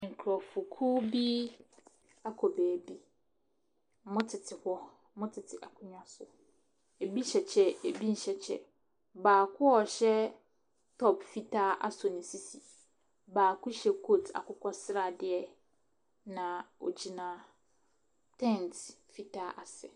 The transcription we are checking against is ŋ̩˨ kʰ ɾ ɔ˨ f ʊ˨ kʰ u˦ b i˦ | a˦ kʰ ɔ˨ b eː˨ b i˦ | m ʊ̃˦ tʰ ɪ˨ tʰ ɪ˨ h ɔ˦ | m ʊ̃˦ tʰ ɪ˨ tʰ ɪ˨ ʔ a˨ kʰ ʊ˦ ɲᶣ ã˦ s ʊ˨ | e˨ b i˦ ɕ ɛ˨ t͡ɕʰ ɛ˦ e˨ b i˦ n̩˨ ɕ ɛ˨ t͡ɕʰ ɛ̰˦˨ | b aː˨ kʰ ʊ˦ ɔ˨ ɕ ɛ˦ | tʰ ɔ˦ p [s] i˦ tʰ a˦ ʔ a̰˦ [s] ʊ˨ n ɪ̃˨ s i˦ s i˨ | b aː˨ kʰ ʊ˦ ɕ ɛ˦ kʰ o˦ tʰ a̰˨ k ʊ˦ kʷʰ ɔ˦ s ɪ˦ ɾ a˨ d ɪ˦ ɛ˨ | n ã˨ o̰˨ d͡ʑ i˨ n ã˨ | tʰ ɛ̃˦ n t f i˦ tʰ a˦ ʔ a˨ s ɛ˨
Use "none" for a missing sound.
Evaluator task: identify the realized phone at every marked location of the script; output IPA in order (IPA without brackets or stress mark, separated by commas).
f, s